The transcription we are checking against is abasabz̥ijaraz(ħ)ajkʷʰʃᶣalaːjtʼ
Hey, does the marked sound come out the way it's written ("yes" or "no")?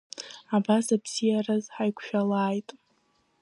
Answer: yes